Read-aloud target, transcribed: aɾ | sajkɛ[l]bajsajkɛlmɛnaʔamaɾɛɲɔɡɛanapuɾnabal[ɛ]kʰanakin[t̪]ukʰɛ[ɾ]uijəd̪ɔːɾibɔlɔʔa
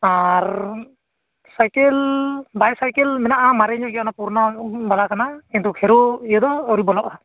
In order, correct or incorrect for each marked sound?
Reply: correct, incorrect: a, correct, correct

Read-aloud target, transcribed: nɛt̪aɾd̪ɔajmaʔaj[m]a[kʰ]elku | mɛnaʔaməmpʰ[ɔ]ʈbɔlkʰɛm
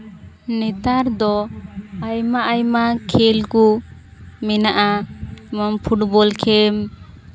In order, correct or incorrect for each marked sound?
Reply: correct, correct, incorrect: u

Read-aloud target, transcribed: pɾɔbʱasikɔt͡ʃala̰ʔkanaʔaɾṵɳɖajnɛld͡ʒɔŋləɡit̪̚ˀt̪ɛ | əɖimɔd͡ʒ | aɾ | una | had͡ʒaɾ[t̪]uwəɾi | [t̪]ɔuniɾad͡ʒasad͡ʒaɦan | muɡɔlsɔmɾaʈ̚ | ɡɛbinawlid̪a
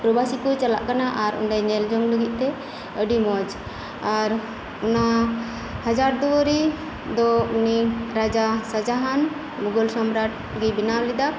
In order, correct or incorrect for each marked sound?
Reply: incorrect: d̪, incorrect: d̪

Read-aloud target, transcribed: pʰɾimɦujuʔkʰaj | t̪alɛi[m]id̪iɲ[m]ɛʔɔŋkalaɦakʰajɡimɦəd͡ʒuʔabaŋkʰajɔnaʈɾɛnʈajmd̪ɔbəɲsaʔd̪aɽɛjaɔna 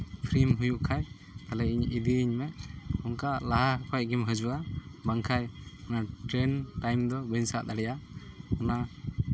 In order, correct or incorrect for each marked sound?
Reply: incorrect: ɲ, correct

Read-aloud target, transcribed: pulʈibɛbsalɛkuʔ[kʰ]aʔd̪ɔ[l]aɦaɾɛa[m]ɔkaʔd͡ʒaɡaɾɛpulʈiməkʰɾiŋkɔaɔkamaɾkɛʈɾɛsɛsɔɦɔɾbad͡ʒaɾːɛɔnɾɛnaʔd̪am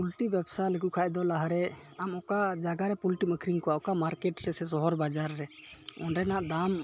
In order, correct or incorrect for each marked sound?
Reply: correct, correct, correct

